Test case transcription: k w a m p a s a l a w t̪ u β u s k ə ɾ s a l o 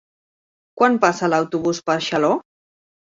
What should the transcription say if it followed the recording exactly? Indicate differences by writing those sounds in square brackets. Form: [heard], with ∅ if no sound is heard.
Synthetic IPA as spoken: k w a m p a s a l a w t̪ u β u s [p] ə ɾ [ʃ] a l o